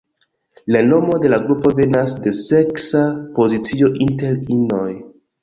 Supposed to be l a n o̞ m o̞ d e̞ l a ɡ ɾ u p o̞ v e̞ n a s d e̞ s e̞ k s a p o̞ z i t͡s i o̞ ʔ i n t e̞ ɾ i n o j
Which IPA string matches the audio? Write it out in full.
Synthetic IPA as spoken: l a n o̞ m o̞ d e̞ l a ɡ ɾ u p o̞ v e̞ n a s d e̞ s e̞ k s a p o̞ z i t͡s i o̞ ʔ i n t e̞ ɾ i n o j